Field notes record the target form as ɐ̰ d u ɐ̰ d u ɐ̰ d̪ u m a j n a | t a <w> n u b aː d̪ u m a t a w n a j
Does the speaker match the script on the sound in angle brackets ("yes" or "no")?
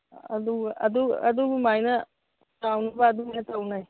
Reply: yes